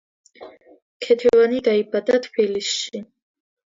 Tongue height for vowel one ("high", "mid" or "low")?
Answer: mid